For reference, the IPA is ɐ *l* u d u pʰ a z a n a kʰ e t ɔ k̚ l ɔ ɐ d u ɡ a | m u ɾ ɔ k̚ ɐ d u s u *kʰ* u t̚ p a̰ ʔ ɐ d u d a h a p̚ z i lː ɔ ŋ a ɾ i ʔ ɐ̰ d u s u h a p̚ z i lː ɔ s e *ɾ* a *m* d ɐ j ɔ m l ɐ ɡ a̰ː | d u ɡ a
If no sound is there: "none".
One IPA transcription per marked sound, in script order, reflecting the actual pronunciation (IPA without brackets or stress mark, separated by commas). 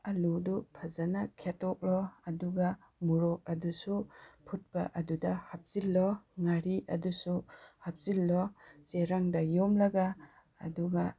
l, pʰ, ɾ, ŋ